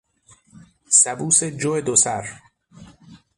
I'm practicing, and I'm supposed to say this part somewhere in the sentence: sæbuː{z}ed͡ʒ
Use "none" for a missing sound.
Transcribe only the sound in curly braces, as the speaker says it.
s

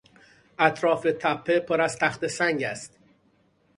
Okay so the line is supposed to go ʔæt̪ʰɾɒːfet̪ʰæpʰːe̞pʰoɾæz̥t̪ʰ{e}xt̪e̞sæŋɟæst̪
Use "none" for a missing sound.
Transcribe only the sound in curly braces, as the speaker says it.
æ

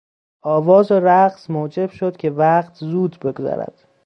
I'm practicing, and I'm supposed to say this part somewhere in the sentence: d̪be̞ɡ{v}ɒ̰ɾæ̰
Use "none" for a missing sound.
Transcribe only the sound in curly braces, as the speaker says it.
z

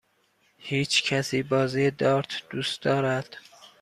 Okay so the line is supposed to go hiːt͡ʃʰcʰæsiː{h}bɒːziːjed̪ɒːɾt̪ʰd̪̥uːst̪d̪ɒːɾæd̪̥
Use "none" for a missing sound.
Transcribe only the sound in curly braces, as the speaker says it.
none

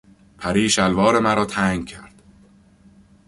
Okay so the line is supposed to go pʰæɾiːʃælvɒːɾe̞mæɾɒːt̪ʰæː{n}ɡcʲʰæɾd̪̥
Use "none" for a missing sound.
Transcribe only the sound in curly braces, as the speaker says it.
ŋ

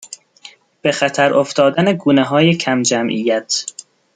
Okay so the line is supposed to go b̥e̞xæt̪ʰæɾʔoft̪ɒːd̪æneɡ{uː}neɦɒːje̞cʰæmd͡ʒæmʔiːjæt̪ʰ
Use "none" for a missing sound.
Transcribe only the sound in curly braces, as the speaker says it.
uː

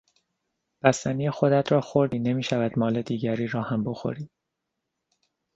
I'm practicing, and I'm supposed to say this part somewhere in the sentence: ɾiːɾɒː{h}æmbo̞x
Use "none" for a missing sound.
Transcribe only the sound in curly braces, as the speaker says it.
h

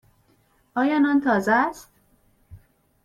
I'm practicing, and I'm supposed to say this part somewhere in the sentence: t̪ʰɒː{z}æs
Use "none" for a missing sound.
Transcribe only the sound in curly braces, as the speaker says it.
z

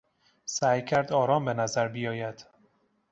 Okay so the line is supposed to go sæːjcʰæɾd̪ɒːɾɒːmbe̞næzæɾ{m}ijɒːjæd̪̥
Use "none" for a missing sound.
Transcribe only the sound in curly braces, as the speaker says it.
b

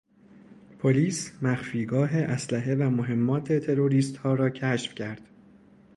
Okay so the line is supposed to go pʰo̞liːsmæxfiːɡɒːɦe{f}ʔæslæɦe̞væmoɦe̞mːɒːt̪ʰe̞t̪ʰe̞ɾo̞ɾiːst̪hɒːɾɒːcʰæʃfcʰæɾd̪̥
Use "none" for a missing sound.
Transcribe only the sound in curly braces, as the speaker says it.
none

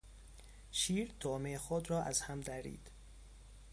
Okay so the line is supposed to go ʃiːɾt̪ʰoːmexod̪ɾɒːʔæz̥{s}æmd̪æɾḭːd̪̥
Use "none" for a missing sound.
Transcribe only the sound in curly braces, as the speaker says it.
h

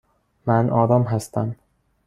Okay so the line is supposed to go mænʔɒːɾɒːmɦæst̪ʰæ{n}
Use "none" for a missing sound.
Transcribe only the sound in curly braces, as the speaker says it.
m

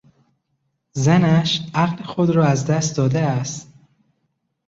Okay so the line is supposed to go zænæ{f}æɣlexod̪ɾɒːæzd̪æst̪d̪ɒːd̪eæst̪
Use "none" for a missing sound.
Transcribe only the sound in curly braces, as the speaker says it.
ʃ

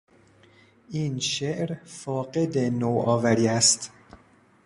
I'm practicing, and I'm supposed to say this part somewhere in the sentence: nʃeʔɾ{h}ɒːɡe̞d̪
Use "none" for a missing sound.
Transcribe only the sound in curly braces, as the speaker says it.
f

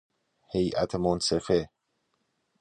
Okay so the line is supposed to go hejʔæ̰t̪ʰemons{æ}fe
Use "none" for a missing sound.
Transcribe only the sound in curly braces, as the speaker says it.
e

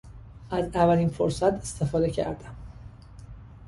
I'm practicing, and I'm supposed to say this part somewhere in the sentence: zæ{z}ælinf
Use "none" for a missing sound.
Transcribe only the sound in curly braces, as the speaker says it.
v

